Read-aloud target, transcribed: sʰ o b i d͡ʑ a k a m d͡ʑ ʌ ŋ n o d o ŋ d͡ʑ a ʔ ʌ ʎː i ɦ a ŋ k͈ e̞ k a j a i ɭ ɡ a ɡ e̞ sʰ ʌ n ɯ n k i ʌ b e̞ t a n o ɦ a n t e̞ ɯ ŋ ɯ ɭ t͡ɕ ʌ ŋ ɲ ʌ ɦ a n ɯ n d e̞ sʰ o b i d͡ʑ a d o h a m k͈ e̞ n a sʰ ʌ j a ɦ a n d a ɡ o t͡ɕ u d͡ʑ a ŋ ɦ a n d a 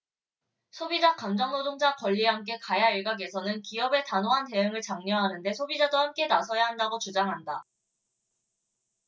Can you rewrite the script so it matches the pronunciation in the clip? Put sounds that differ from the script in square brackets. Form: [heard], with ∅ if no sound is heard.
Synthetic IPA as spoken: sʰ o b i d͡ʑ a k a m d͡ʑ ʌ ŋ n o d o ŋ d͡ʑ a [k] ʌ ʎː i ɦ a [m] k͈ e̞ k a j a i ɭ ɡ a ɡ e̞ sʰ ʌ n ɯ n k i ʌ b e̞ t a n o ɦ a n t e̞ ɯ ŋ ɯ ɭ t͡ɕ [a] ŋ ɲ ʌ ɦ a n ɯ n d e̞ sʰ o b i d͡ʑ a d o h a m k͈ e̞ n a sʰ ʌ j a ɦ a n d a ɡ o t͡ɕ u d͡ʑ a ŋ ɦ a n d a